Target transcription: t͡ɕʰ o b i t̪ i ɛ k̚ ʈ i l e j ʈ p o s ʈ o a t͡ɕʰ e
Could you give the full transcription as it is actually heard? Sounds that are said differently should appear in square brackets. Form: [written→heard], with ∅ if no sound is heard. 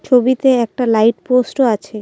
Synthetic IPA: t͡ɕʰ o b i t̪ [i→e] ɛ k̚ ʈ [i→a] l [e→a] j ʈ p o s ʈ o a t͡ɕʰ e